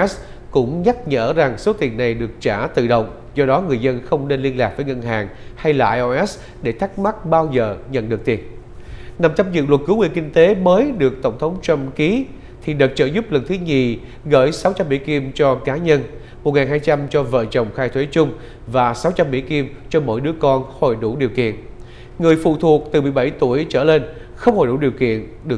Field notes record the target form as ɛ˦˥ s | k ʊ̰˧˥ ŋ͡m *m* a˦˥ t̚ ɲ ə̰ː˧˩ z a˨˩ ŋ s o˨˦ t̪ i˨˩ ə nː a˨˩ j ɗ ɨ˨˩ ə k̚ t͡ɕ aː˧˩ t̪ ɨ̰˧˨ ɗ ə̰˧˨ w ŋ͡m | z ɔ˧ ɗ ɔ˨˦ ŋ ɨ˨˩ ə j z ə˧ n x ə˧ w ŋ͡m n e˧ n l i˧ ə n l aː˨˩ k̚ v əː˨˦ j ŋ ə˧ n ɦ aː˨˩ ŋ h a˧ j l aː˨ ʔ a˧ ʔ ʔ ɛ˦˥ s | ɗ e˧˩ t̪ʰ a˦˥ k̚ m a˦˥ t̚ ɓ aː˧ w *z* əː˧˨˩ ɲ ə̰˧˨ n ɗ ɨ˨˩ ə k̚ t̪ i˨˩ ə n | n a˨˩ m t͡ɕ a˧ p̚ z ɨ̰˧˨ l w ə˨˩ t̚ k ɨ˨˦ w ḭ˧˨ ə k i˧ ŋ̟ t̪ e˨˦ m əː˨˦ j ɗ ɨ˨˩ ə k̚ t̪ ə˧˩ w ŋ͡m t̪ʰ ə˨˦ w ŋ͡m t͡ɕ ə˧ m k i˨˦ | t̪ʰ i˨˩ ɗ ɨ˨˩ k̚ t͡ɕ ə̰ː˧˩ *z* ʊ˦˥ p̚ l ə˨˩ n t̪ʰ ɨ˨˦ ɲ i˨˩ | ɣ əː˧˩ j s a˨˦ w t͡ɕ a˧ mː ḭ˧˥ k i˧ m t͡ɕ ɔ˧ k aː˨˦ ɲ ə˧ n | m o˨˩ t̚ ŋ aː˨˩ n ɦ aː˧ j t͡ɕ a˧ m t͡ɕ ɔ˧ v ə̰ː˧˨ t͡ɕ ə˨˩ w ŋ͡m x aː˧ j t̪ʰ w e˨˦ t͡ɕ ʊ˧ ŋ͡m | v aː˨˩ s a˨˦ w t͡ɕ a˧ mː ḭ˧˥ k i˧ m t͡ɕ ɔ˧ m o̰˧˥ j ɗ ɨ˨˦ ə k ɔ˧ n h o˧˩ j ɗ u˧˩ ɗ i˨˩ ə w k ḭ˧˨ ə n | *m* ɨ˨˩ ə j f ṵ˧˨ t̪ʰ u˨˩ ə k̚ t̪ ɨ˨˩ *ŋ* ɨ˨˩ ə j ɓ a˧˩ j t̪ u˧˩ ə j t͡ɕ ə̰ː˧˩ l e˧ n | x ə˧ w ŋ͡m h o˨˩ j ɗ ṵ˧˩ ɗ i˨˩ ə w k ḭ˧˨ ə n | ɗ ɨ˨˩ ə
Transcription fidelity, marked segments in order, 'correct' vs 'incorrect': incorrect: ɲ, correct, correct, incorrect: ŋ, incorrect: m

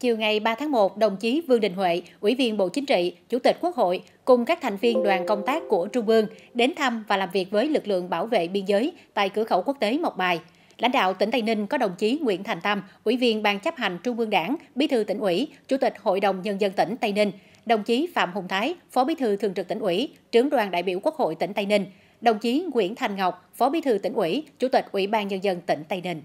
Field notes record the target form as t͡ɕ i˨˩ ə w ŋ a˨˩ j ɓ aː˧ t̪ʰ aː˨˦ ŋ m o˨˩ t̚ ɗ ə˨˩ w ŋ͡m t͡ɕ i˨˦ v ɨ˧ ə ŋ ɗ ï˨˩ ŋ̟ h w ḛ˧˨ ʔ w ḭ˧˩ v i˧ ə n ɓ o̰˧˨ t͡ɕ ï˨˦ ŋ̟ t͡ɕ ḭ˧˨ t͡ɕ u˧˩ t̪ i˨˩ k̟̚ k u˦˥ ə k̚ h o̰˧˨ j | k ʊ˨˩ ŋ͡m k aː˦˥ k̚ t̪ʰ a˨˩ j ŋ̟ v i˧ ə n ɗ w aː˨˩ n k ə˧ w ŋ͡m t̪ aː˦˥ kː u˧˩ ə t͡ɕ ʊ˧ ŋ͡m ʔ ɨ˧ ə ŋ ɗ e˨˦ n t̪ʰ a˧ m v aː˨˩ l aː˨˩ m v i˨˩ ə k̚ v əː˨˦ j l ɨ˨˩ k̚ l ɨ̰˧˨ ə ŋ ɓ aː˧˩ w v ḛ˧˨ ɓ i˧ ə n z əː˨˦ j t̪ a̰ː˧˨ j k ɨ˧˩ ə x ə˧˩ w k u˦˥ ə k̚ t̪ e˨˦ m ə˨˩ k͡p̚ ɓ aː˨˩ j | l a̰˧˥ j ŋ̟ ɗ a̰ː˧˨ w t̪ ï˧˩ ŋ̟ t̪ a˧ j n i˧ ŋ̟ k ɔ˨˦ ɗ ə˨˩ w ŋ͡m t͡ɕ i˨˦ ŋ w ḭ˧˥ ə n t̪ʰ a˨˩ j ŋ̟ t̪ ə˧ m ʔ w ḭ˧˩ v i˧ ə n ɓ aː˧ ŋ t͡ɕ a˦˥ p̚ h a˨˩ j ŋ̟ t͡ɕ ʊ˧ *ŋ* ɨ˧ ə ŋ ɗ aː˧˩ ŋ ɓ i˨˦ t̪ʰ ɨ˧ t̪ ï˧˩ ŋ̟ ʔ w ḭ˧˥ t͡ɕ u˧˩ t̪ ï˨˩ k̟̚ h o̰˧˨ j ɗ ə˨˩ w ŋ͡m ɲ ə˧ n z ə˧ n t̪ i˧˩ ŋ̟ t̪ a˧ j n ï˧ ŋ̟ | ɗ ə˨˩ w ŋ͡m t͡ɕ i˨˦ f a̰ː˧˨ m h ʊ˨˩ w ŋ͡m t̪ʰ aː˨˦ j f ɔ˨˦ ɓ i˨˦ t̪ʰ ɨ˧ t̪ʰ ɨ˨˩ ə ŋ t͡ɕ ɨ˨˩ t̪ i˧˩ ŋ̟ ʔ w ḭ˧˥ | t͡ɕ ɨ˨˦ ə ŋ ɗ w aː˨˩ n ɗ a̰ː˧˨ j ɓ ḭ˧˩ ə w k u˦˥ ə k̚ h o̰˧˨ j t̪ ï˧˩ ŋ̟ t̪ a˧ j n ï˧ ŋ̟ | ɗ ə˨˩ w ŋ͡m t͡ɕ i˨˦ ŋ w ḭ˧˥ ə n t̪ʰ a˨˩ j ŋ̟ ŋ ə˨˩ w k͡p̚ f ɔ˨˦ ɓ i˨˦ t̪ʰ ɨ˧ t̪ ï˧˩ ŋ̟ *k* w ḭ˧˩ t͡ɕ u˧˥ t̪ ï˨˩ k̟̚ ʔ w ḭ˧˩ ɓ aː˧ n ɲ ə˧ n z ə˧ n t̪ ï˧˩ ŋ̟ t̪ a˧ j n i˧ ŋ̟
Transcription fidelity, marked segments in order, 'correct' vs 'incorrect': incorrect: ŋ͡m, incorrect: ʔ

